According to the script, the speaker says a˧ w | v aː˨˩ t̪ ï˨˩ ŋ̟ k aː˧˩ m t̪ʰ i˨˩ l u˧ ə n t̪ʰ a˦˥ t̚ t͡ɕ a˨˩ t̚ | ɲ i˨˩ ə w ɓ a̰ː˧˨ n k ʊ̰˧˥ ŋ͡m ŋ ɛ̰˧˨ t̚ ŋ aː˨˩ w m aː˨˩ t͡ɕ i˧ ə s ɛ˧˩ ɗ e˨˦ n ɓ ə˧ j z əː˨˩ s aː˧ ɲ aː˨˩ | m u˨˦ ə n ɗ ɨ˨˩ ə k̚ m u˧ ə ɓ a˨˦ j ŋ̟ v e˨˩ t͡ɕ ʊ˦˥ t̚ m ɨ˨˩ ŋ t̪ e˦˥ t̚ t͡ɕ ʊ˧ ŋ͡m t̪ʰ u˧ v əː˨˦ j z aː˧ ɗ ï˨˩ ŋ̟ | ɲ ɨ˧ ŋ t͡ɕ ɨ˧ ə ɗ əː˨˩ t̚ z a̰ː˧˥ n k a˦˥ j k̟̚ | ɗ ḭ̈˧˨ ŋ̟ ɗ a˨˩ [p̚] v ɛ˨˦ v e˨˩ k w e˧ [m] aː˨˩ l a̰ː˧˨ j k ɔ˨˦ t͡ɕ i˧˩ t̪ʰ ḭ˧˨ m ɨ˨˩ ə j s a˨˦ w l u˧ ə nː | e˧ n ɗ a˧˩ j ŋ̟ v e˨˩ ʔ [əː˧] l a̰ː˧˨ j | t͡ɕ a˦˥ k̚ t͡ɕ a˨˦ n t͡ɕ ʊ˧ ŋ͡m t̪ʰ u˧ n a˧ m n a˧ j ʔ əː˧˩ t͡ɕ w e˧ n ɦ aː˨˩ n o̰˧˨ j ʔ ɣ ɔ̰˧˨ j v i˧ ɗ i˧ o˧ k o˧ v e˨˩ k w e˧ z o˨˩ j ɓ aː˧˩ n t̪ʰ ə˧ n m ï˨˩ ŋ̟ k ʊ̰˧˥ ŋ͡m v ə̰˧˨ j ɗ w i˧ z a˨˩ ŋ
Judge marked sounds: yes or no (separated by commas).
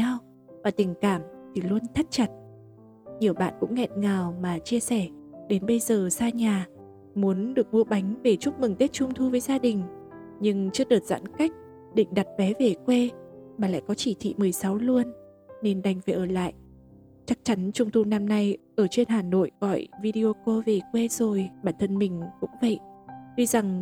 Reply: no, yes, no